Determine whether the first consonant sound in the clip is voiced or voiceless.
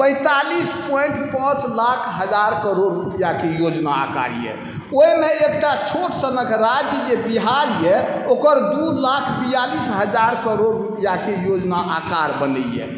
voiceless